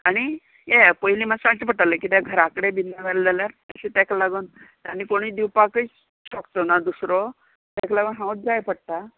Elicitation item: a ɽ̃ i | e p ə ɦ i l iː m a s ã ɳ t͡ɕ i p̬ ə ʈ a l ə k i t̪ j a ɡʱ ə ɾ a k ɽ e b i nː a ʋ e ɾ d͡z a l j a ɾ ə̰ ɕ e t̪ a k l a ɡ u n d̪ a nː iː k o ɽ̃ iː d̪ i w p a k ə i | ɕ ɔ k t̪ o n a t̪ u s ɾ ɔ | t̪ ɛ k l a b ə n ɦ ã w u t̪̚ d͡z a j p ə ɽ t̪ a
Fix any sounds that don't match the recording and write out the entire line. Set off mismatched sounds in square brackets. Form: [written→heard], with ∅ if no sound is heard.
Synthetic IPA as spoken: a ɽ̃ i | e p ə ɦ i l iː m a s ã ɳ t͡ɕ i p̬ ə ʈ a l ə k i t̪ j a ɡʱ ə ɾ a k ɽ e b i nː a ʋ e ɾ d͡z a l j a ɾ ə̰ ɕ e t̪ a k l a ɡ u n [d̪→t̪] a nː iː k o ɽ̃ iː d̪ i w p a k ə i | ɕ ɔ k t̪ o n a [t̪→d̪] u s ɾ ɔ | t̪ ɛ k l a [b→ɡ] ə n ɦ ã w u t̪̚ d͡z a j p ə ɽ t̪ a